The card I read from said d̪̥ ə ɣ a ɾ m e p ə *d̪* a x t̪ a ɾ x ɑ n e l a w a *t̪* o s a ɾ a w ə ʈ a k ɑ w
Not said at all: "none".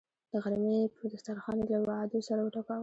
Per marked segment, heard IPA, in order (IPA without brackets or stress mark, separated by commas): d̪, d̪